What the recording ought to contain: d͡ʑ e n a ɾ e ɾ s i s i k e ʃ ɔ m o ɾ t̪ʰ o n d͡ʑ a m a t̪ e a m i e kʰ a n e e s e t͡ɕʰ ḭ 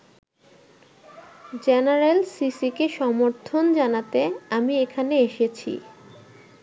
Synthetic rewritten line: d͡ʑ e n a ɾ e l s i s i k e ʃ ɔ m o ɾ t̪ʰ o n d͡ʑ a n a t̪ e a m i e kʰ a n e e ʃ e t͡ɕʰ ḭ

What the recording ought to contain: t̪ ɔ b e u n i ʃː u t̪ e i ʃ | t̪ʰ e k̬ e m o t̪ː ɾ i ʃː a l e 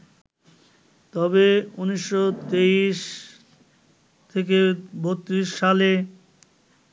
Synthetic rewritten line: t̪ ɔ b e u n i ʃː o t̪ e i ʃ | t̪ʰ e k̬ e b o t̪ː ɾ i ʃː a l e

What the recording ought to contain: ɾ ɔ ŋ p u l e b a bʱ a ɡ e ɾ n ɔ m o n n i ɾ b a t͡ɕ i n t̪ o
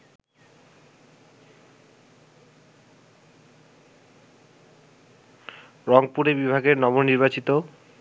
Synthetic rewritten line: ɾ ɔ ŋ p u ɾ e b i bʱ a ɡ e ɾ n ɔ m o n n i ɾ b a t͡ɕ i t̪ o

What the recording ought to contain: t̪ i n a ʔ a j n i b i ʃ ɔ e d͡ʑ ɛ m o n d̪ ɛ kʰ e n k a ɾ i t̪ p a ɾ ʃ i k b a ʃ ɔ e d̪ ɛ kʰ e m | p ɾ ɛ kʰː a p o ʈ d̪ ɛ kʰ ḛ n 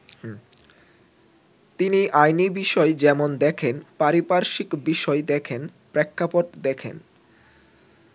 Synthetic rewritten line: t̪ i n i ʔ a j n i b i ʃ ɔ e d͡ʑ ɛ m o n d̪ ɛ kʰ e n p a ɾ i p a ɾ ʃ i k b i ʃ ɔ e d̪ ɛ kʰ e n | p ɾ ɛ kʰː a p o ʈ d̪ ɛ kʰ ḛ n

